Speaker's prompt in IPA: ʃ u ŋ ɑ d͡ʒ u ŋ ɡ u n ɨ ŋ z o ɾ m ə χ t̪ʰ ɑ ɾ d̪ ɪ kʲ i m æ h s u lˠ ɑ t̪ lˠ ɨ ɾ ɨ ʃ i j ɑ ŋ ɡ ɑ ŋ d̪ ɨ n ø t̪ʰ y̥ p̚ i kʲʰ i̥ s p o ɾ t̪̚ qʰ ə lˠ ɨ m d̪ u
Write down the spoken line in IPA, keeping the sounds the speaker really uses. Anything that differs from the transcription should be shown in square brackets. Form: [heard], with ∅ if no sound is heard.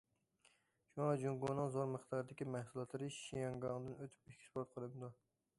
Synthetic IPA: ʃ u ŋ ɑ d͡ʒ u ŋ ɡ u n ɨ ŋ z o ɾ m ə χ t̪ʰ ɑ ɾ d̪ ɪ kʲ i m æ h s u lˠ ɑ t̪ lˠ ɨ ɾ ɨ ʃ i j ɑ ŋ ɡ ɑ ŋ d̪ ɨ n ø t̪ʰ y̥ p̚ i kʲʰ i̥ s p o ɾ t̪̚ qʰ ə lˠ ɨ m d̪ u